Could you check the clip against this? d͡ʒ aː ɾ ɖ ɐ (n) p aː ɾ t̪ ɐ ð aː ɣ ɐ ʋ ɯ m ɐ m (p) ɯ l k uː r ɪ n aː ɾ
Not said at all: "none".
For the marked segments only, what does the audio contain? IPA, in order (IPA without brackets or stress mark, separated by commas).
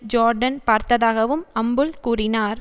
n, b